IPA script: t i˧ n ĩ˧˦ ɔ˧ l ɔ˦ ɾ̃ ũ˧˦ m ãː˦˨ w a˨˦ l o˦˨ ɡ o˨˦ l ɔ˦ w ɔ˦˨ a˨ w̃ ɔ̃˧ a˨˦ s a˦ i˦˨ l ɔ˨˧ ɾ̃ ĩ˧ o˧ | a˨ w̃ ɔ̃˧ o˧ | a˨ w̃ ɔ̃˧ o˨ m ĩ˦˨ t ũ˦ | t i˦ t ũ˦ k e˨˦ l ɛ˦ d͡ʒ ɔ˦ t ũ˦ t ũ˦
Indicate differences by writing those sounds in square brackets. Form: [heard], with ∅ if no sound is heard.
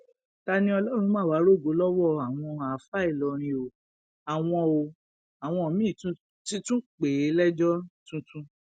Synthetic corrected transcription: t [a˧] n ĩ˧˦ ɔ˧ l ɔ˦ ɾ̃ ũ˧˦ m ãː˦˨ w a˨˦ [ɾ] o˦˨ ɡ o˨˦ l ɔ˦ w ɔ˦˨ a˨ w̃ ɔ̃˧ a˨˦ [f] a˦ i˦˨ l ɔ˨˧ ɾ̃ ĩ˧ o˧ | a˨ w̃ ɔ̃˧ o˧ | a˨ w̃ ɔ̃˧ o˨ m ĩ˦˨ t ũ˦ | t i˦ t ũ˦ [k͡p] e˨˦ l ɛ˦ d͡ʒ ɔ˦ t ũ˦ t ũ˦